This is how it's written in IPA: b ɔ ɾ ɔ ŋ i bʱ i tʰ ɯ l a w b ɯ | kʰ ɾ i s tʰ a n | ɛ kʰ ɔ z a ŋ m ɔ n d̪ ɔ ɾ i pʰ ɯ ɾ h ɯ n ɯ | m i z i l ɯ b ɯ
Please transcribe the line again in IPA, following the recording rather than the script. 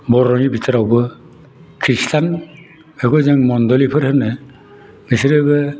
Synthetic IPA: b ɔ ɾ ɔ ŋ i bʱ i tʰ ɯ ɾ a w b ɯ | kʰ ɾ i s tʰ a n | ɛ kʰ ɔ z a ŋ m ɔ n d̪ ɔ l i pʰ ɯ ɾ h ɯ n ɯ | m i s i ɾ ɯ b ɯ